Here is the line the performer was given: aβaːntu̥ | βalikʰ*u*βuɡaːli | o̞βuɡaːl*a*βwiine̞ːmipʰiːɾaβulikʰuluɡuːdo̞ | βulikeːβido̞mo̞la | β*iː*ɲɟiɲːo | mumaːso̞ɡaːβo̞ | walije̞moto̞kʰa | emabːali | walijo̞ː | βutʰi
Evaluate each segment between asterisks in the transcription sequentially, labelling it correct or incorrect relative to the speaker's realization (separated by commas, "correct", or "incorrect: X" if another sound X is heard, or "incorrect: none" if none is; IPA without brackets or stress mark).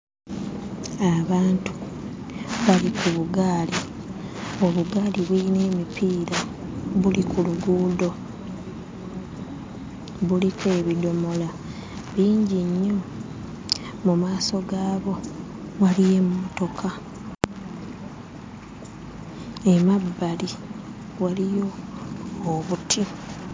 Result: correct, incorrect: i, correct